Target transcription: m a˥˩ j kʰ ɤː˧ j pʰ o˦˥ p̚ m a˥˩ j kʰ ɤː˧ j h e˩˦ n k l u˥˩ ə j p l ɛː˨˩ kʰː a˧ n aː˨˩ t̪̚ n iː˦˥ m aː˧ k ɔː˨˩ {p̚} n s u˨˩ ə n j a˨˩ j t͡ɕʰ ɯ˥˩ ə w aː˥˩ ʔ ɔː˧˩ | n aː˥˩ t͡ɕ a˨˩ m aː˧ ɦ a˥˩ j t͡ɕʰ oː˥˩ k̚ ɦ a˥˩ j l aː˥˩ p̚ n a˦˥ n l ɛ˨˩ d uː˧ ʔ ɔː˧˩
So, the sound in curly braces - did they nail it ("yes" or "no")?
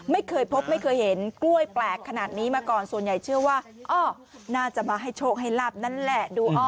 no